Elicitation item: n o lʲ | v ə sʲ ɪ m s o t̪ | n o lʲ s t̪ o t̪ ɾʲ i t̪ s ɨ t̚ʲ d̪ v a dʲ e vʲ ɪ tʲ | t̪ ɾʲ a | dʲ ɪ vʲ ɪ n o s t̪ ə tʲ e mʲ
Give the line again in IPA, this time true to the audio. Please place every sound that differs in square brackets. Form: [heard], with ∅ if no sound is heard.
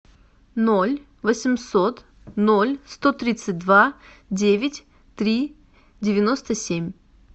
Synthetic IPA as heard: n o lʲ | v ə sʲ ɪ m s o t̪ | n o lʲ s t̪ o t̪ ɾʲ i t̪ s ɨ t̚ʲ d̪ v a dʲ e vʲ ɪ tʲ | t̪ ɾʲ [i] | dʲ ɪ vʲ ɪ n o s t̪ ə [sʲ] e mʲ